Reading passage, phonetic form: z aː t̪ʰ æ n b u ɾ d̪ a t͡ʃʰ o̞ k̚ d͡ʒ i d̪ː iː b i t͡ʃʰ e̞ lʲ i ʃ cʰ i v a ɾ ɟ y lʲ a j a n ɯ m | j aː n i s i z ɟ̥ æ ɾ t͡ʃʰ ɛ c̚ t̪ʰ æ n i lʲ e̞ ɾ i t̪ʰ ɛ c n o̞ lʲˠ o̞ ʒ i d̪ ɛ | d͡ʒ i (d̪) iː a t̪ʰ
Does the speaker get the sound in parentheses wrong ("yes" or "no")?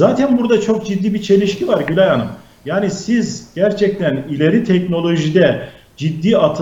yes